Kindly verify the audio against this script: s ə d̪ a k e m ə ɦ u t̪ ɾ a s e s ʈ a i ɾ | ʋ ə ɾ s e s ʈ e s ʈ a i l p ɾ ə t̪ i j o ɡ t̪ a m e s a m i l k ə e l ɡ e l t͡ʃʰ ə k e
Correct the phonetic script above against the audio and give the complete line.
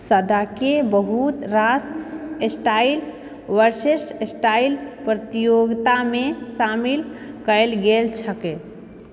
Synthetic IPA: s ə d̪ a k e b ə ɦ u t̪ ɾ a s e s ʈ a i l | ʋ ə ɾ s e s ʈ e s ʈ a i l p ɾ ə t̪ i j o ɡ t̪ a m e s a m i l k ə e l ɡ e l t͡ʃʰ ə k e